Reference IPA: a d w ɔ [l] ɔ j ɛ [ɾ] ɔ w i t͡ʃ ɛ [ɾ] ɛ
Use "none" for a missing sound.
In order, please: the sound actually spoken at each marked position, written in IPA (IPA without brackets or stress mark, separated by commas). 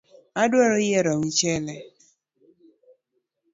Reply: ɾ, ɾ, l